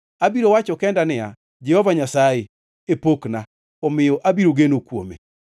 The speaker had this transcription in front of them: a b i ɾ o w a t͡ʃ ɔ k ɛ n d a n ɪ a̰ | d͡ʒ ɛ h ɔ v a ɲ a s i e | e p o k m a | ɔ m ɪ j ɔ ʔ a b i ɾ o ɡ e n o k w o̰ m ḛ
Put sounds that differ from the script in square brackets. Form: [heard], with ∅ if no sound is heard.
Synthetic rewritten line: a b i ɾ o w a t͡ʃ ɔ k ɛ n d a n ɪ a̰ | d͡ʒ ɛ h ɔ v a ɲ a s [a] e | e p o k [n] a | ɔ m ɪ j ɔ ʔ a b i ɾ o ɡ e n o k w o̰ m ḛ